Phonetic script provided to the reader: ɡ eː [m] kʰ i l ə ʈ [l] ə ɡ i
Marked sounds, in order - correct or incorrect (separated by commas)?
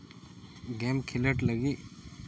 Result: correct, correct